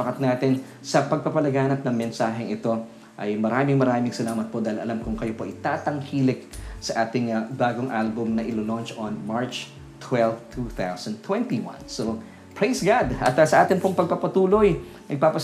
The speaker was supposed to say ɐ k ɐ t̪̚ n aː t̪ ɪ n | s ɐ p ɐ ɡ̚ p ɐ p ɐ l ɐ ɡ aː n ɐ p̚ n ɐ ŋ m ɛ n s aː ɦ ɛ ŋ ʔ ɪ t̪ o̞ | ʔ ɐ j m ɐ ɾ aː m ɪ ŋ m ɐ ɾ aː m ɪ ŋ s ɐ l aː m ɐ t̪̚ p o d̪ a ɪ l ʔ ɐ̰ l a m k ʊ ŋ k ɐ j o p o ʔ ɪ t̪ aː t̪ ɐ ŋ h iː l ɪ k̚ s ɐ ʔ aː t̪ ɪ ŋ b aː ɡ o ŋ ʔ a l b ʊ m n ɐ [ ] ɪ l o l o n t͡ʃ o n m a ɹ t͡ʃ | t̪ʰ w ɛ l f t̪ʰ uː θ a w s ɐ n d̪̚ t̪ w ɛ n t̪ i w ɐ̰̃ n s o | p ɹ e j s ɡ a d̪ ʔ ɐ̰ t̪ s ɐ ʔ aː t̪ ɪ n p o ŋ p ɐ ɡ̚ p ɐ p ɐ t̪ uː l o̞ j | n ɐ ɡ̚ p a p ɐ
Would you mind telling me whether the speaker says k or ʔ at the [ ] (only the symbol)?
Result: ʔ